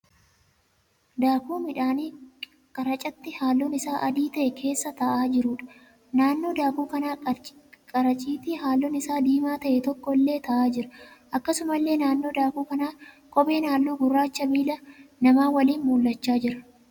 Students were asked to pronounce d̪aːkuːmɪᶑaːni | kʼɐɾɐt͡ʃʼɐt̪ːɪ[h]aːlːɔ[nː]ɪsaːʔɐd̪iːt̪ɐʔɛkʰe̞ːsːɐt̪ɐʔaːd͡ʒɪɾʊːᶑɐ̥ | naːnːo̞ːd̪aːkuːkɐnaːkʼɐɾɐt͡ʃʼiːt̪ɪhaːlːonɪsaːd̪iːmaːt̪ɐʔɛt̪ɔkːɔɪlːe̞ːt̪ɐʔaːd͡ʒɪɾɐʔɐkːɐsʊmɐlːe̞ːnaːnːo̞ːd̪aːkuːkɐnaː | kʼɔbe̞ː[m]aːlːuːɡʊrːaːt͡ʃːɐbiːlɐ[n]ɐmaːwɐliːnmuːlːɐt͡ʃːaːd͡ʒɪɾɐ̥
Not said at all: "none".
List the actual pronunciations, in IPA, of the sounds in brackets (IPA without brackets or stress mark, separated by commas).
h, n, n, n